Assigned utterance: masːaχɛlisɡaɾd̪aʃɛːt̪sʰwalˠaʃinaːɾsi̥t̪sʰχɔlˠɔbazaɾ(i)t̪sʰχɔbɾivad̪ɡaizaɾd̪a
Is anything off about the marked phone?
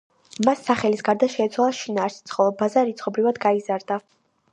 no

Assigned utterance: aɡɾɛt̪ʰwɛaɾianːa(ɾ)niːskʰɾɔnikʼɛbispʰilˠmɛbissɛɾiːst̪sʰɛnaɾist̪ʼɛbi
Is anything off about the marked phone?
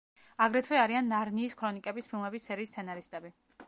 no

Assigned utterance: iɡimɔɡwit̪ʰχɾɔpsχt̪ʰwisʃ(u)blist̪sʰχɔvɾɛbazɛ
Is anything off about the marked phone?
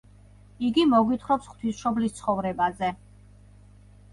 yes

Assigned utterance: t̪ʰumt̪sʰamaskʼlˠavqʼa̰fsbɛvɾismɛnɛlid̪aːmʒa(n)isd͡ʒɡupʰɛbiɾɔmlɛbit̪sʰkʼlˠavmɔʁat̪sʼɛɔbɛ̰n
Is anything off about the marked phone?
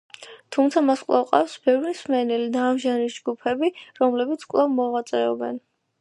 no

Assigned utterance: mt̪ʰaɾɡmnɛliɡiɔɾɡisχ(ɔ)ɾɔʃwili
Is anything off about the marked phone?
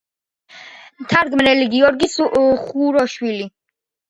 yes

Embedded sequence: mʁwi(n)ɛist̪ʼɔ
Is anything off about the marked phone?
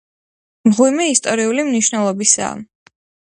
yes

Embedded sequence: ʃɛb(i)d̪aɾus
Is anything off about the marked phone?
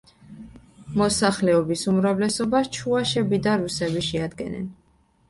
no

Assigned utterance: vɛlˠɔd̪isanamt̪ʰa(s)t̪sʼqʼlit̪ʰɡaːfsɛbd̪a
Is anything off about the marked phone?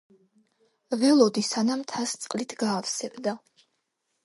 no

